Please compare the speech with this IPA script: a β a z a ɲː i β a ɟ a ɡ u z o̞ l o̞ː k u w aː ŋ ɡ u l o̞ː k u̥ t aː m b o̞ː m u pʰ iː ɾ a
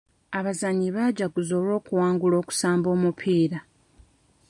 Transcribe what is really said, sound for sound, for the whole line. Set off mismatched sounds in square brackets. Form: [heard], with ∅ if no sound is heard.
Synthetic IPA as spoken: a β a z a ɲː i β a ɟ a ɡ u z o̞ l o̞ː k u w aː ŋ ɡ u l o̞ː k u̥ [s] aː m b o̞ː m u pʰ iː ɾ a